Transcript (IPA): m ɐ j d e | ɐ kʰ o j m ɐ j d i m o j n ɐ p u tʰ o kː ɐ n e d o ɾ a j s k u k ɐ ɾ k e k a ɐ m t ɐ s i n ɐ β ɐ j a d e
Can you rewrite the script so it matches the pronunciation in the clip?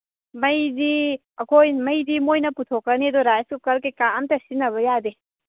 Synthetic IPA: m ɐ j d i | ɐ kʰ o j m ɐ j d i m o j n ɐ p u tʰ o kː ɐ n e d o ɾ a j s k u k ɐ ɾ k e k a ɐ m t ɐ s i n ɐ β ɐ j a d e